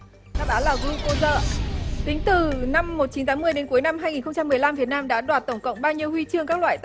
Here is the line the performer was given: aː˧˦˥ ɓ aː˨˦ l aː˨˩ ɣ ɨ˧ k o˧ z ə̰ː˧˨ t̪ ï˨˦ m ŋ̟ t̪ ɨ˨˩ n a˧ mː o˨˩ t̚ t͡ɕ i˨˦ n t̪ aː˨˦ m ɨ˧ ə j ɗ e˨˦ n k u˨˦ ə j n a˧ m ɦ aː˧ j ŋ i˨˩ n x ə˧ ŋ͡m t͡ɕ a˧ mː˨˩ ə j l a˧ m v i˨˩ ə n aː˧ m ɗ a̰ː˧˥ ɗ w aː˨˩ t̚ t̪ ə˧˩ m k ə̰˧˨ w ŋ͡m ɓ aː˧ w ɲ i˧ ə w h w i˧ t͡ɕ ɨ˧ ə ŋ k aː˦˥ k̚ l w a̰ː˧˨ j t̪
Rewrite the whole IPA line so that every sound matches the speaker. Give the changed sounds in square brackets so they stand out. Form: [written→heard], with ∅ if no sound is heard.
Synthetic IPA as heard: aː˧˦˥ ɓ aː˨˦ l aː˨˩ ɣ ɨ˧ k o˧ z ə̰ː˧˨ t̪ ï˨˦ [m→∅] ŋ̟ t̪ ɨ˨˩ n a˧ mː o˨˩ t̚ t͡ɕ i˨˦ n t̪ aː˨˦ m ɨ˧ ə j ɗ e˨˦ n k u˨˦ ə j n a˧ m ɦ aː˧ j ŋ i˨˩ n x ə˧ ŋ͡m t͡ɕ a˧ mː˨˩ ə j l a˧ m v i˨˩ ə n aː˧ m ɗ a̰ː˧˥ ɗ w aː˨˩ t̚ t̪ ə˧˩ [m→ŋ͡m] k ə̰˧˨ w ŋ͡m ɓ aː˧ w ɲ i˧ ə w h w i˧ t͡ɕ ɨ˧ ə ŋ k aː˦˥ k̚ l w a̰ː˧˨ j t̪

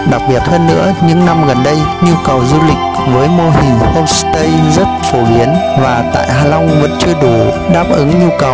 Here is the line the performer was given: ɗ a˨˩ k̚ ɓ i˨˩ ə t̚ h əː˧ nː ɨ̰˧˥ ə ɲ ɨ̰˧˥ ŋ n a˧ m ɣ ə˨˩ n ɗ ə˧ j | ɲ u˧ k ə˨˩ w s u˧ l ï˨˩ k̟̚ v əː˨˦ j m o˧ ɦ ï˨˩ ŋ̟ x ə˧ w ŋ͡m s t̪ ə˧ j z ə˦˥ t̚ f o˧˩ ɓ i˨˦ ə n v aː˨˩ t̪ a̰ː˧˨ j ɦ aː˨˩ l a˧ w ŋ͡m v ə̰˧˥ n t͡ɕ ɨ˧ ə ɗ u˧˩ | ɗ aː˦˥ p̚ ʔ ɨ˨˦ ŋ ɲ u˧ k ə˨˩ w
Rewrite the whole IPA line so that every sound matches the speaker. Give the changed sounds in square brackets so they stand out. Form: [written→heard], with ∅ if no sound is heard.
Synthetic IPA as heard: ɗ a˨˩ k̚ ɓ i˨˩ ə t̚ h əː˧ nː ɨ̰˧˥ ə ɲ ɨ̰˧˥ ŋ n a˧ m ɣ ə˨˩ n ɗ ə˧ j | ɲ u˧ k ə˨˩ w [s→z] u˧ l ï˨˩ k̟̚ v əː˨˦ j m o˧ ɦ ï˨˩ ŋ̟ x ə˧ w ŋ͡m s t̪ ə˧ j z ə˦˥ t̚ f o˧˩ ɓ i˨˦ ə n v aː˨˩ t̪ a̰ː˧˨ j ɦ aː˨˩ l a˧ w ŋ͡m v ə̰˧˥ n t͡ɕ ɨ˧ ə ɗ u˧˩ | ɗ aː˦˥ p̚ ʔ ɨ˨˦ ŋ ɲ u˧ k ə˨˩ w

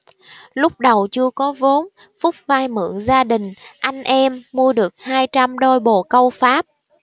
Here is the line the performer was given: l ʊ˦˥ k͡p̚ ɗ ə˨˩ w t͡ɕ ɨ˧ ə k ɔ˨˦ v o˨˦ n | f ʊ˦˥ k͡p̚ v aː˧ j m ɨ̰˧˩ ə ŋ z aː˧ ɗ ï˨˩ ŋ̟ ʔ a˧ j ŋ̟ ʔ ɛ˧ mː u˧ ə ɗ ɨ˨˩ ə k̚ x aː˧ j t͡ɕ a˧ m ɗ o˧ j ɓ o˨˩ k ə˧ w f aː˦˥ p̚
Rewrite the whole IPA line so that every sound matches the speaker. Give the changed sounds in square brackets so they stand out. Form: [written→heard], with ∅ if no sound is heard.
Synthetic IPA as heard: l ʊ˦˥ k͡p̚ ɗ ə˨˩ w t͡ɕ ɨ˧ ə k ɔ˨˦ v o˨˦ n | f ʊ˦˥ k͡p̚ v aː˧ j m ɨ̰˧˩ ə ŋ z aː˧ ɗ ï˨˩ ŋ̟ ʔ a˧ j ŋ̟ ʔ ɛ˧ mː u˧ ə ɗ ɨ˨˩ ə k̚ [x→h] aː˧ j t͡ɕ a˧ m ɗ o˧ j ɓ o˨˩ k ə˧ w f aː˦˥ p̚

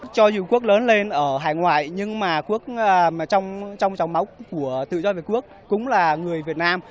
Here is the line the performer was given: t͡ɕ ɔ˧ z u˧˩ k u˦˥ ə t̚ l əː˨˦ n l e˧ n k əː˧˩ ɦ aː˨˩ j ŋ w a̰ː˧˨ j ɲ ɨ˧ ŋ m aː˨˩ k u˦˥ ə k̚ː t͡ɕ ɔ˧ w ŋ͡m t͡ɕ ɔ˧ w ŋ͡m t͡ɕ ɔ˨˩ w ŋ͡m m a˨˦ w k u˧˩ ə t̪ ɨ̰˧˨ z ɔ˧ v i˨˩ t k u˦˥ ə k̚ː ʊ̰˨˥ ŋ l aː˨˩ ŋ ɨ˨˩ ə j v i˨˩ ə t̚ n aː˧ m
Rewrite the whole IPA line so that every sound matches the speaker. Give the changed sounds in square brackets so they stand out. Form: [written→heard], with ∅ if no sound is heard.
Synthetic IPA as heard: t͡ɕ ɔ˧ z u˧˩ k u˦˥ ə [t̚→k̚] l əː˨˦ n l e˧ n [k→ʔ] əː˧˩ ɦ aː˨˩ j ŋ w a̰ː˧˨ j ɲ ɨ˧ ŋ m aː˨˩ k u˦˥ ə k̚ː t͡ɕ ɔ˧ w ŋ͡m t͡ɕ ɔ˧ w ŋ͡m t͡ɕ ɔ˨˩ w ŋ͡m m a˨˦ w k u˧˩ ə t̪ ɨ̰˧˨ z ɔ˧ v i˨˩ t k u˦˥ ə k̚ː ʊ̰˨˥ [ŋ→ŋ͡m] l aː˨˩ ŋ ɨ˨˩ ə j v i˨˩ ə t̚ n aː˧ m

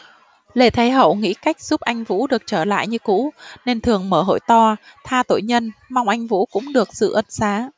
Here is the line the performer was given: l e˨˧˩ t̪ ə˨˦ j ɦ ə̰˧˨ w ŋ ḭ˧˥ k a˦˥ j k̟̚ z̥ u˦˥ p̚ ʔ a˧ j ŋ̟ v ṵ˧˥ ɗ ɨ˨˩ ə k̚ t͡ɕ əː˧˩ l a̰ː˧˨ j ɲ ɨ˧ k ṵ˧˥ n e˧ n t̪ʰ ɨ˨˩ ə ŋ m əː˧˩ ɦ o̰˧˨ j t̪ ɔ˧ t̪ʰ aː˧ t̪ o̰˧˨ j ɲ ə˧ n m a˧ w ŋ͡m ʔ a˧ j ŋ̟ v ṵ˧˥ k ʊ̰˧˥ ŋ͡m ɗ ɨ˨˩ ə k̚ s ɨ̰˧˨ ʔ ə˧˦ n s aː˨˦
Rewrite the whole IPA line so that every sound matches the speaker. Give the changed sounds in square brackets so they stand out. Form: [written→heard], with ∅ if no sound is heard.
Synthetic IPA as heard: l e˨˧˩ [t̪→t̪ʰ] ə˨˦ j ɦ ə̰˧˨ w ŋ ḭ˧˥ k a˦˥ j k̟̚ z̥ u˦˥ p̚ ʔ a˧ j ŋ̟ v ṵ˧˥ ɗ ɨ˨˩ ə k̚ t͡ɕ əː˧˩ l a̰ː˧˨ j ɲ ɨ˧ k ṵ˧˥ n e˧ n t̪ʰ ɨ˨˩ ə ŋ m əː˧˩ ɦ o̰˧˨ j t̪ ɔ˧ t̪ʰ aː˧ t̪ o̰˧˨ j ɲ ə˧ n m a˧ w ŋ͡m ʔ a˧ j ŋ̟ v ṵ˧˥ k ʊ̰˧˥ ŋ͡m ɗ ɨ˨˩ ə k̚ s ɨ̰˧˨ ʔ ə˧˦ n s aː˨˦

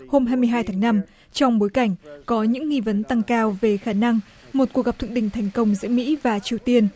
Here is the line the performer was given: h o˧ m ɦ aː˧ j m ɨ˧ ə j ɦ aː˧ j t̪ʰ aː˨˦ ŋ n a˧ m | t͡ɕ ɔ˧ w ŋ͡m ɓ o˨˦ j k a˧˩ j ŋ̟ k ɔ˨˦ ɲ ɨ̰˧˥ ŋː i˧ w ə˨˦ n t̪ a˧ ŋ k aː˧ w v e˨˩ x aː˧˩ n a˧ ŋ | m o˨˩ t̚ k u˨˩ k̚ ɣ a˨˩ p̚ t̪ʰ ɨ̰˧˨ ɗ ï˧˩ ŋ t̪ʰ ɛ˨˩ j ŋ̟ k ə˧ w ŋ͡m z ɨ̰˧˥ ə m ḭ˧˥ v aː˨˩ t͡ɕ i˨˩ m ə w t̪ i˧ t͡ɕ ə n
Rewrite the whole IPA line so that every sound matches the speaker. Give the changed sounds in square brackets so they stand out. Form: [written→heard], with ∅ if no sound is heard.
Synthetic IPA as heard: h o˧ m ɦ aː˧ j m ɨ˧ ə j ɦ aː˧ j t̪ʰ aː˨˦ ŋ n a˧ m | t͡ɕ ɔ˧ w ŋ͡m ɓ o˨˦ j k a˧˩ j ŋ̟ k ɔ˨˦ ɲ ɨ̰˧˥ ŋː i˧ [w→v] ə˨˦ n t̪ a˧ ŋ k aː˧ w v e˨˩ x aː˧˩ n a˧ ŋ | m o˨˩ t̚ k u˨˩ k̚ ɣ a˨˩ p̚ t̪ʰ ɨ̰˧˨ ɗ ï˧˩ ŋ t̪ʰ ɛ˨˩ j ŋ̟ k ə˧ w ŋ͡m z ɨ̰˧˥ ə m ḭ˧˥ v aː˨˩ t͡ɕ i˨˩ [m→∅] ə w t̪ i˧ [t͡ɕ→∅] ə n

